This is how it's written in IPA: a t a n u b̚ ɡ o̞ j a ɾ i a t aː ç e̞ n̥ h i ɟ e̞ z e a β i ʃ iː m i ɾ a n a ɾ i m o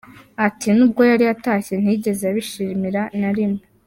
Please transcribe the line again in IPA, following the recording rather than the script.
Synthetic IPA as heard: a t i n u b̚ ɡ o̞ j a ɾ i a t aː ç e̞ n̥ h i ɟ e̞ z e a β i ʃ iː m i ɾ a n a ɾ i m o